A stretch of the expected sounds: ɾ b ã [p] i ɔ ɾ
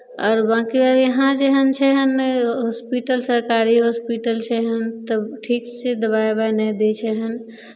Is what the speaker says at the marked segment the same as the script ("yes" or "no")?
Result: no